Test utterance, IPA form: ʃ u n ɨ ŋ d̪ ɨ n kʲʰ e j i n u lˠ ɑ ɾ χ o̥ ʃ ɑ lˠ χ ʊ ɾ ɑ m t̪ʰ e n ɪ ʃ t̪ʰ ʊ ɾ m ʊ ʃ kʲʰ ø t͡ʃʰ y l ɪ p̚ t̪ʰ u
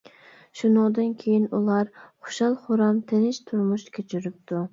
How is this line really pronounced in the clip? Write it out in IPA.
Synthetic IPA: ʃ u n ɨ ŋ d̪ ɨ n kʲʰ e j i n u lˠ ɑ ɾ χ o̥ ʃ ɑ lˠ χ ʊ ɾ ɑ m t̪ʰ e n ɪ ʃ t̪ʰ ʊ ɾ m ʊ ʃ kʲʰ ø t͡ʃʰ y ɾ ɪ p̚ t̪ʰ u